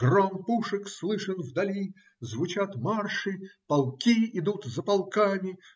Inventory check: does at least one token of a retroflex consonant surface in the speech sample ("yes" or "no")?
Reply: yes